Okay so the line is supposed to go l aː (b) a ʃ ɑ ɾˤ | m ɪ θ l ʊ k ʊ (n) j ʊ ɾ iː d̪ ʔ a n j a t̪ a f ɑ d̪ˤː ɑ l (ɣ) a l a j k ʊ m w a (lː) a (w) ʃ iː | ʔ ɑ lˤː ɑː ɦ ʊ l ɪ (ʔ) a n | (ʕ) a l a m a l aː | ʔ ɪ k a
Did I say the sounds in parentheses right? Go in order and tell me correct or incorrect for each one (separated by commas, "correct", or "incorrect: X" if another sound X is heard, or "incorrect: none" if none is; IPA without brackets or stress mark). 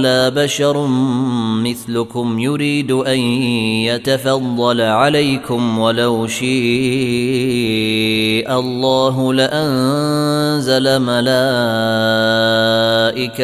correct, incorrect: m, incorrect: ʕ, incorrect: l, correct, correct, incorrect: z